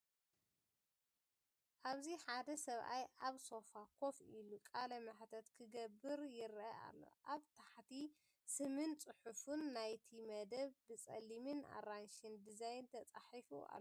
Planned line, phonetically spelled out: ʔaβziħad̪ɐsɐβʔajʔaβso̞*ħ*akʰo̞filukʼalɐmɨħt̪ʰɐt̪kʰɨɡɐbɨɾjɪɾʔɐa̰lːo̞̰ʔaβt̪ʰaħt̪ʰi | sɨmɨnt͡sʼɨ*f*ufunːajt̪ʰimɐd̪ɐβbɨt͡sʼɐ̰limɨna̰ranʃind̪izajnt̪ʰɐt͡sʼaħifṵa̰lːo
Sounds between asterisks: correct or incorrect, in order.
incorrect: f, incorrect: ħ

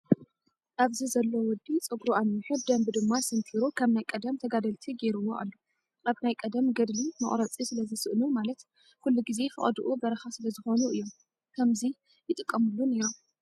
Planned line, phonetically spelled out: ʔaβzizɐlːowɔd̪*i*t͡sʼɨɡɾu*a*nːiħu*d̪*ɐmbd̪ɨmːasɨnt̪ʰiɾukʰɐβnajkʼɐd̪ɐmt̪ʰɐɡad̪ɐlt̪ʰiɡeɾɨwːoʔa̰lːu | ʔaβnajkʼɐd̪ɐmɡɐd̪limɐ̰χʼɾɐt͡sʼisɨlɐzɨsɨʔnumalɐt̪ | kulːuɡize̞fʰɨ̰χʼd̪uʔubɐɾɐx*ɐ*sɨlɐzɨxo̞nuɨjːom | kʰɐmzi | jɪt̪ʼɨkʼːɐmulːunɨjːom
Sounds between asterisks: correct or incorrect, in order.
correct, correct, correct, incorrect: a

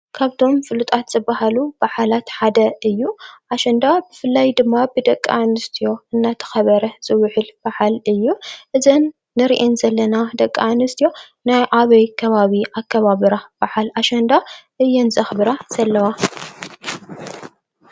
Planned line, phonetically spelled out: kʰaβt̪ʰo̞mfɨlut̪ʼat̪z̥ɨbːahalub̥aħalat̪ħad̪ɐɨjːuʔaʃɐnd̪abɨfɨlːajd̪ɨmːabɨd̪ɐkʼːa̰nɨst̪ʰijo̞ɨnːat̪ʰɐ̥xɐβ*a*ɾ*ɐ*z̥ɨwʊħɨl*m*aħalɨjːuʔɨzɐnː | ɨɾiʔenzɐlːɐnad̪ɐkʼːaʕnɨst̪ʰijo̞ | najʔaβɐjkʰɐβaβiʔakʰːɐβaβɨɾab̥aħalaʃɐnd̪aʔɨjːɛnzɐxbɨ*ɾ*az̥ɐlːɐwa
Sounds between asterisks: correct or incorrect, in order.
incorrect: ɐ, correct, incorrect: b, correct

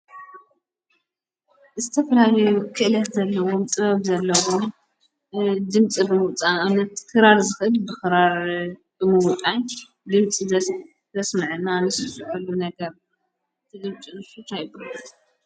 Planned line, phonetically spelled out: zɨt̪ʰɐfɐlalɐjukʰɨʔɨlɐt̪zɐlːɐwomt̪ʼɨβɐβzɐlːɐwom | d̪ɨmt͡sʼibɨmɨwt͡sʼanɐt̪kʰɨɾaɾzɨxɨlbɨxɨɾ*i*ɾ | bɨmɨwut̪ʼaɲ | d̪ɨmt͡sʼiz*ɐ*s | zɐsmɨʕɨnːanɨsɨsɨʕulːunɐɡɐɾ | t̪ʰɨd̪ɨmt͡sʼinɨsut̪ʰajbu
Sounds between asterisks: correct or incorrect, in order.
incorrect: a, correct

